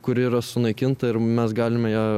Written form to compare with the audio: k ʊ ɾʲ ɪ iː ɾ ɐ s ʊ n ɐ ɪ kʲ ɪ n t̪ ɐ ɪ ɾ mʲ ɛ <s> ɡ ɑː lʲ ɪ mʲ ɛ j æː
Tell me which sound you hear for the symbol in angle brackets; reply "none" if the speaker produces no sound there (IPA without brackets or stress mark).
s